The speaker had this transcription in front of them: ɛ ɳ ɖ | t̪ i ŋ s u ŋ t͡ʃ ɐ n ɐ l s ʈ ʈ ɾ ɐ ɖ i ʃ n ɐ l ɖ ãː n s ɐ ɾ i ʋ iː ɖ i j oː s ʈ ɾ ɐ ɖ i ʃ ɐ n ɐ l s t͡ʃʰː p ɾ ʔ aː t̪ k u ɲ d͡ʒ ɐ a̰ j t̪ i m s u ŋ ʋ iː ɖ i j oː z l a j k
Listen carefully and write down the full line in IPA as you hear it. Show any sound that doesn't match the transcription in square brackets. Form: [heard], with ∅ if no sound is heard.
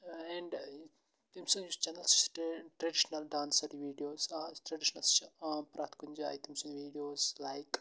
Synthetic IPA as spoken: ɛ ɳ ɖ | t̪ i [m] s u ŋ t͡ʃ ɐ n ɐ l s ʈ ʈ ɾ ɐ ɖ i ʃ n ɐ l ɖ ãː n s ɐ ɾ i ʋ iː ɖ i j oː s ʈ ɾ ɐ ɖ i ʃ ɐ n ɐ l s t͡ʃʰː p ɾ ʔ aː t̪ k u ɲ d͡ʒ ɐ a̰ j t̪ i m s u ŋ ʋ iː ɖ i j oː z l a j k